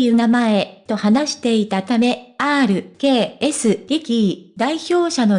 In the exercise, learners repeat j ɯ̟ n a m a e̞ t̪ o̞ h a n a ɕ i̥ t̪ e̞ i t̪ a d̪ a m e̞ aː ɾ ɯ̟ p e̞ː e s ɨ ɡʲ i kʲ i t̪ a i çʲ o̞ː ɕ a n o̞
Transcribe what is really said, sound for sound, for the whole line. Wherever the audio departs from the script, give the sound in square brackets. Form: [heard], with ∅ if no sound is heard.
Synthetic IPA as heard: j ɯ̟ n a m a e̞ t̪ o̞ h a n a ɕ i̥ t̪ e̞ i t̪ a [t̪] a m e̞ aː ɾ ɯ̟ [k] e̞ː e s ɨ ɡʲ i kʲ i [d̪] a i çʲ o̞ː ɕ a n o̞